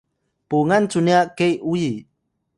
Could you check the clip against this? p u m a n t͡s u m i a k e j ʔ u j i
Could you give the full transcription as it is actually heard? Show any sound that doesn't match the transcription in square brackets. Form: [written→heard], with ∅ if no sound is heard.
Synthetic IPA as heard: p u [m→ŋ] a n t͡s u [m→n] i a k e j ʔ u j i